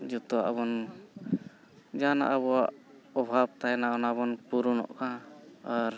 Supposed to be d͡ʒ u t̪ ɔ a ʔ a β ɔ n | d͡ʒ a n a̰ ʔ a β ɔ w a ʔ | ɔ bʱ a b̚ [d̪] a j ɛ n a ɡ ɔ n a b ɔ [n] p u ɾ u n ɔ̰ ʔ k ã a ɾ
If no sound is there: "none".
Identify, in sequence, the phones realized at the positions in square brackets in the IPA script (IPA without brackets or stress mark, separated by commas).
t̪, n